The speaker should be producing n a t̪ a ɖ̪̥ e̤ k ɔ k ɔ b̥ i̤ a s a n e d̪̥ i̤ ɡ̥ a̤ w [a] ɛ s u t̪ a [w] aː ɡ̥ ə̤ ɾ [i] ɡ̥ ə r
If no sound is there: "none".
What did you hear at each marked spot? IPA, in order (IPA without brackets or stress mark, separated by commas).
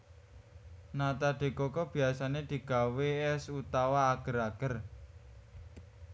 e, w, a